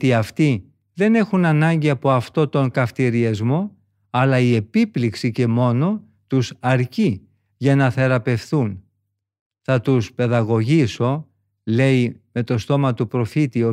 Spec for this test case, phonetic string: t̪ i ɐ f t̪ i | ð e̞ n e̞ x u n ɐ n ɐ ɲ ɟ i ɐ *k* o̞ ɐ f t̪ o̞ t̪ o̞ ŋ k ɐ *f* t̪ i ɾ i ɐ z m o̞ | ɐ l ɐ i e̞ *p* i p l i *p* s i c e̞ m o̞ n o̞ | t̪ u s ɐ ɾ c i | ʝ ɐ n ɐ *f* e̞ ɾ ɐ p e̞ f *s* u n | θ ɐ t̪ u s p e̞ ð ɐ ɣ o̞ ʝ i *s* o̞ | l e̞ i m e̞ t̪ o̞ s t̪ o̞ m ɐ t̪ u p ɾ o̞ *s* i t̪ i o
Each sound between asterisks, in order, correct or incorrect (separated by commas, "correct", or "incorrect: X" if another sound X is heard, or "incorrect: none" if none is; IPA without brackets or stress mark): incorrect: p, correct, correct, incorrect: k, incorrect: θ, incorrect: θ, correct, incorrect: f